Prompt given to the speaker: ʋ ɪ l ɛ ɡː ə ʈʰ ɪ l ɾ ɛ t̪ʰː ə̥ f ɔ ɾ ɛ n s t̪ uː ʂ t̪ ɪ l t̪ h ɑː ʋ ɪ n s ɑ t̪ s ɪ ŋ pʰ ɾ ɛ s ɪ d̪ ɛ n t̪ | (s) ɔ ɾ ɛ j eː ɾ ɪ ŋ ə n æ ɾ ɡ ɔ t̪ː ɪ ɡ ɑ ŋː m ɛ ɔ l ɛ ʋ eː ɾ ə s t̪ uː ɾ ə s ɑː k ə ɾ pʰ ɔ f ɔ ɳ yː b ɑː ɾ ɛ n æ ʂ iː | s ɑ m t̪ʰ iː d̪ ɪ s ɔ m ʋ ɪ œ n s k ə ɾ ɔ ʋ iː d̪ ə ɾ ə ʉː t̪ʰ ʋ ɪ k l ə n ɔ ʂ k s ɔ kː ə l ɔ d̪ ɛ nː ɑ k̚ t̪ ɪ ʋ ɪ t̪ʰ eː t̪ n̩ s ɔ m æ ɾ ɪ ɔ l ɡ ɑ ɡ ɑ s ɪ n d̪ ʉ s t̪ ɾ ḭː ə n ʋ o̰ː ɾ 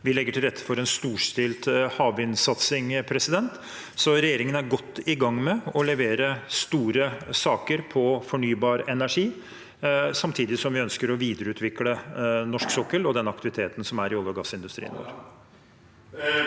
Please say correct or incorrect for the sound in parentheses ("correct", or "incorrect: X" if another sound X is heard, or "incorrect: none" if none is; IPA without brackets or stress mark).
correct